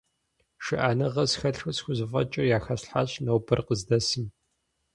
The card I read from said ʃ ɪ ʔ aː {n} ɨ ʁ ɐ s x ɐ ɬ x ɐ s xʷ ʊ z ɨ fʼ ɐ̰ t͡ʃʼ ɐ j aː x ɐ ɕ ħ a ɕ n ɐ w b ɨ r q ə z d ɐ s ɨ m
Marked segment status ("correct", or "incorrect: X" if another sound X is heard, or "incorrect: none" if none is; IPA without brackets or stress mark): correct